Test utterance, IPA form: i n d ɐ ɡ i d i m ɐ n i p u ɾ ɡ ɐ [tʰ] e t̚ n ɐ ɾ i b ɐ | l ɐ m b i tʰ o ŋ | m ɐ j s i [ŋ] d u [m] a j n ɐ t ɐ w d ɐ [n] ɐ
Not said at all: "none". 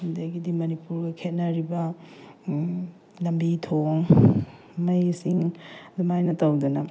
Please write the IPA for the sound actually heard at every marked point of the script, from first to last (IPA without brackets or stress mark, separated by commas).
kʰ, ŋ, m, n